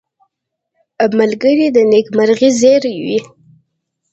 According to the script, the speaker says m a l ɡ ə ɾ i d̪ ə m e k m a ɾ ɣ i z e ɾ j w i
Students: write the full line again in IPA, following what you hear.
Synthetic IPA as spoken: m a l ɡ ə ɾ i d̪ ə n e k m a ɾ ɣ i z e ɾ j w i